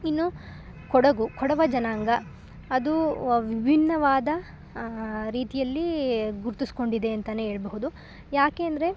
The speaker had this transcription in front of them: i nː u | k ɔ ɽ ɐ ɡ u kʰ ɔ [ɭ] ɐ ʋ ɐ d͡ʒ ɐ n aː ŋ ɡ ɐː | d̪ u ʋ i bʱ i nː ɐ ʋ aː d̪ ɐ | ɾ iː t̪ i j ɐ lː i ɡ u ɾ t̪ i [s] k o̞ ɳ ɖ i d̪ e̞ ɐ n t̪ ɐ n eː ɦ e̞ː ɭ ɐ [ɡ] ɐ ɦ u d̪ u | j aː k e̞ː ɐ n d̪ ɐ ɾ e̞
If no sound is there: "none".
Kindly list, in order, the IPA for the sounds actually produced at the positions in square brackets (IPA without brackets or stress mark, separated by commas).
ɽ, s, b